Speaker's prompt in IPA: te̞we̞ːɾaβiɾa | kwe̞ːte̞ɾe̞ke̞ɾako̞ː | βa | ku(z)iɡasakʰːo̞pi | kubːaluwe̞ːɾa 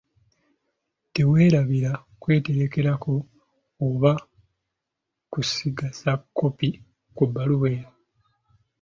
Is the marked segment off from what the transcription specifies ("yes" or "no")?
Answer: yes